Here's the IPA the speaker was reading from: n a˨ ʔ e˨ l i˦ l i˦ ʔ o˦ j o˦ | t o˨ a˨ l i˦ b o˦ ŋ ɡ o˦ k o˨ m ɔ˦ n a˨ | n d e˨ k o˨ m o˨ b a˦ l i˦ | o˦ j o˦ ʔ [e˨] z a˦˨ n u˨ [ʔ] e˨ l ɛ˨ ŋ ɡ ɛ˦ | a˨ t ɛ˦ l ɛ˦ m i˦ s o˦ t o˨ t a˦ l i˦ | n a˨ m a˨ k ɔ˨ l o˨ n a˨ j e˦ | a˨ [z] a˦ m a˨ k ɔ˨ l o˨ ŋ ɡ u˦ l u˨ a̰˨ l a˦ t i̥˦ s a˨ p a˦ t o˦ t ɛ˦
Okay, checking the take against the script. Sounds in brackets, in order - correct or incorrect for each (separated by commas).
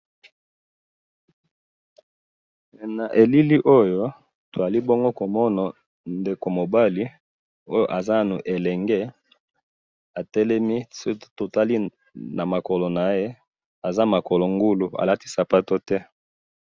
incorrect, correct, correct